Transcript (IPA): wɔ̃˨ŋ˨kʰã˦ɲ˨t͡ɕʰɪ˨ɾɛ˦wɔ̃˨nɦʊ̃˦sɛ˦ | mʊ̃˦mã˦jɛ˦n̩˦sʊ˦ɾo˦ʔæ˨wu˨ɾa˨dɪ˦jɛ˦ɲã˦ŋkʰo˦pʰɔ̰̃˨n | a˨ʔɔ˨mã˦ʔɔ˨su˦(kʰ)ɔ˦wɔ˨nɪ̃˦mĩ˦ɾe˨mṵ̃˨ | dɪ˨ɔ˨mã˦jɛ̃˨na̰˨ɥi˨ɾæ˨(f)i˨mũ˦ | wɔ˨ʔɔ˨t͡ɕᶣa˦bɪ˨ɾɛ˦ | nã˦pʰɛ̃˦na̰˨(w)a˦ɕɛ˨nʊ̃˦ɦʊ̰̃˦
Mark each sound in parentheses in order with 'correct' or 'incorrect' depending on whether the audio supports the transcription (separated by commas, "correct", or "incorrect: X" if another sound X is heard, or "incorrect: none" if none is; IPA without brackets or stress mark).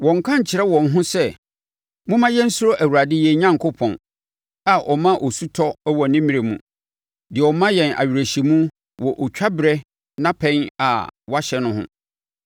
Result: incorrect: tʰ, incorrect: ɕ, correct